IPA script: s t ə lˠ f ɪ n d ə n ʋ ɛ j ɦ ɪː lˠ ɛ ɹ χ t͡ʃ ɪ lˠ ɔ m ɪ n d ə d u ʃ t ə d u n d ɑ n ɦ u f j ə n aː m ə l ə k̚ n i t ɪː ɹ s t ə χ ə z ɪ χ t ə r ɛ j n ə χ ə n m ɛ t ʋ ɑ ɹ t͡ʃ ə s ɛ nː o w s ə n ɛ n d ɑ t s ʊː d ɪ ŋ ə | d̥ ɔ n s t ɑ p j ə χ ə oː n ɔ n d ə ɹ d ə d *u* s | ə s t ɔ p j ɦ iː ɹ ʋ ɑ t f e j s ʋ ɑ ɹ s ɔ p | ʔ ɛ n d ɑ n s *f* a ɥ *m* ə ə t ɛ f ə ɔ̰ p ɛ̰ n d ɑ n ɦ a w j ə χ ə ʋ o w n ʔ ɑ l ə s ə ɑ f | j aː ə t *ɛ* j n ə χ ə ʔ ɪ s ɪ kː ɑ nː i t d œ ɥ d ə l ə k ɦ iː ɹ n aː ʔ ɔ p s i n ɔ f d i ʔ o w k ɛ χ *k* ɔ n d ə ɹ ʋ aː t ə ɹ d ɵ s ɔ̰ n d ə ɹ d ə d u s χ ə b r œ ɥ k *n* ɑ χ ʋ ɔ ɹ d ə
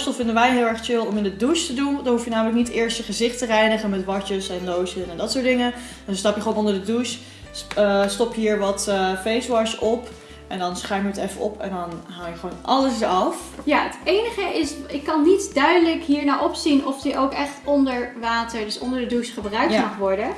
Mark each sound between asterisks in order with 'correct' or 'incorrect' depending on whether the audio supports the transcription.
correct, incorrect: χ, correct, incorrect: e, incorrect: t, incorrect: m

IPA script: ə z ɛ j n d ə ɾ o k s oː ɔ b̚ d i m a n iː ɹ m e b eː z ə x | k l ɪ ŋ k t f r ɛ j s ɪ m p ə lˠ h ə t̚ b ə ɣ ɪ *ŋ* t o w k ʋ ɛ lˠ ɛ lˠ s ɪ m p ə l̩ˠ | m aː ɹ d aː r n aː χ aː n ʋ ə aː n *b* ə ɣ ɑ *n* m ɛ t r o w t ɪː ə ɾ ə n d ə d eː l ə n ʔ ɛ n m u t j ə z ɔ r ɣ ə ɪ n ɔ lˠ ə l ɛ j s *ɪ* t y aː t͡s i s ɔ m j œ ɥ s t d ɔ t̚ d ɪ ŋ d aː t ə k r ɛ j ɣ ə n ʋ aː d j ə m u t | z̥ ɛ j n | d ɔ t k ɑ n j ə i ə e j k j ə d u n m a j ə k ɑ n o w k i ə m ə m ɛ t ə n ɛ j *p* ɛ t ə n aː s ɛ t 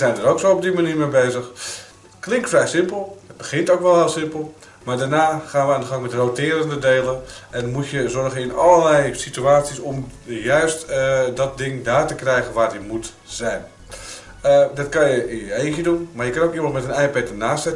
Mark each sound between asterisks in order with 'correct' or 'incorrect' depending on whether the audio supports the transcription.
incorrect: n, incorrect: d, incorrect: ŋ, incorrect: i, correct

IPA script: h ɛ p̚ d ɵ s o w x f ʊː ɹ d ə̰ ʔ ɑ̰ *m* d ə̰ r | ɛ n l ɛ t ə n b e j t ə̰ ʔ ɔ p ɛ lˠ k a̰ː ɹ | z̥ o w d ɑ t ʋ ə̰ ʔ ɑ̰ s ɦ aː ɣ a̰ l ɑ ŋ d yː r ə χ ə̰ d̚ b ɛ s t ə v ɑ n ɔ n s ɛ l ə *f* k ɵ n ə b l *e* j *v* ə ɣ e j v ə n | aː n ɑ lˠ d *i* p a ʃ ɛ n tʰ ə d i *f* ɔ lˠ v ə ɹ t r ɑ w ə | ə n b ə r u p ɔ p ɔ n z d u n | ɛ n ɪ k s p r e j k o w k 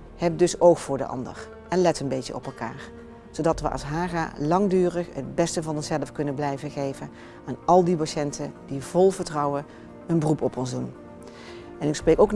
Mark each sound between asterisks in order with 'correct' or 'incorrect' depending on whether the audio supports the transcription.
incorrect: n, correct, incorrect: ɛ, correct, correct, incorrect: v

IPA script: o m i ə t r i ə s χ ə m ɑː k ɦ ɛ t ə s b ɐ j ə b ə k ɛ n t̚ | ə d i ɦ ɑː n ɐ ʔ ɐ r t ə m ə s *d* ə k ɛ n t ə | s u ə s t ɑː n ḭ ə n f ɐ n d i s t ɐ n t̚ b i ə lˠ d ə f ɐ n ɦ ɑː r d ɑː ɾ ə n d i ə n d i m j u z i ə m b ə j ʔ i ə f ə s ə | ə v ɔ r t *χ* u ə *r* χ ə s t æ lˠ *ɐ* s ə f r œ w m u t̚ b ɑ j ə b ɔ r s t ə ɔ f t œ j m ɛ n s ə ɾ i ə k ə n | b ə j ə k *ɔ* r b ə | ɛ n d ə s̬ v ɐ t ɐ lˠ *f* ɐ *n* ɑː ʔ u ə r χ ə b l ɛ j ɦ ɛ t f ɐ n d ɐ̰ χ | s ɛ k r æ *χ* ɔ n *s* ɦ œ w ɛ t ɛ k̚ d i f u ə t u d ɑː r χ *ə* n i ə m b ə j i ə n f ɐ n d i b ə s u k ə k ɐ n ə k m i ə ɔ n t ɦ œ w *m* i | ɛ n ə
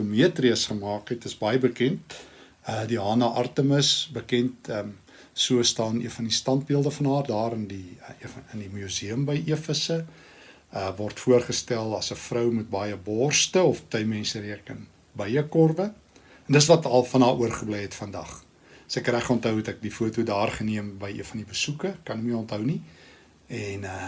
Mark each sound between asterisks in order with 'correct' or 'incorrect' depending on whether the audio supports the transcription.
incorrect: b, incorrect: f, correct, correct, correct, correct, correct, correct, incorrect: t, correct, incorrect: n

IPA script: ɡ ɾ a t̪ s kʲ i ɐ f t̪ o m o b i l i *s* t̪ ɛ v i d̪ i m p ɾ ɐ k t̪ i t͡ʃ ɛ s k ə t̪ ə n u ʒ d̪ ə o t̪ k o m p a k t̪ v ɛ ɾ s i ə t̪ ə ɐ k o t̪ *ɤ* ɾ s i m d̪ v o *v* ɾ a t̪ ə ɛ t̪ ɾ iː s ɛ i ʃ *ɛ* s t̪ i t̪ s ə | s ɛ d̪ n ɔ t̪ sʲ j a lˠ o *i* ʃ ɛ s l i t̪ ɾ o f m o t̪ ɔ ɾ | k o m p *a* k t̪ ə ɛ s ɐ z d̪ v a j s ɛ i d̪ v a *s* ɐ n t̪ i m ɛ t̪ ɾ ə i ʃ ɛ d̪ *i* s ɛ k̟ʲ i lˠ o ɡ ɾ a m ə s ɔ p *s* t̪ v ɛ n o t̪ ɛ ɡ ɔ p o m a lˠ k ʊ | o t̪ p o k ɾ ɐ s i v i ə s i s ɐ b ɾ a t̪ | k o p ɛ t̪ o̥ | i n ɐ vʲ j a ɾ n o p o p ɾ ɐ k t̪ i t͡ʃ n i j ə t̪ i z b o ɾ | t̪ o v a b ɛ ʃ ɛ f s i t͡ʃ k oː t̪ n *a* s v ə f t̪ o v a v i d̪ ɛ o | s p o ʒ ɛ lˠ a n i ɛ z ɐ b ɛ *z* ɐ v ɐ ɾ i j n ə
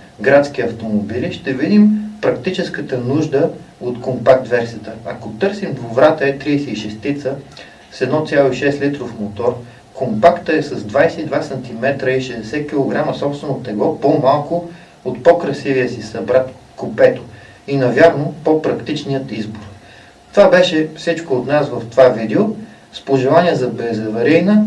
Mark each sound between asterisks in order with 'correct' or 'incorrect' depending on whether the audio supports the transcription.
incorrect: ʃ, correct, correct, correct, correct, correct, correct, incorrect: ɛ, correct, correct, correct

